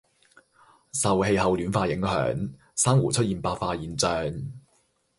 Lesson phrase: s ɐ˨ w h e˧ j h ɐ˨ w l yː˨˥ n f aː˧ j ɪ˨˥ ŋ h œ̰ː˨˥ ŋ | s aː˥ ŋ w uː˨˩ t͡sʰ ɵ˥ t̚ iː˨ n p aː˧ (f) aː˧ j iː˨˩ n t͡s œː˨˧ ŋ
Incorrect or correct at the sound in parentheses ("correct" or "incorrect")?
correct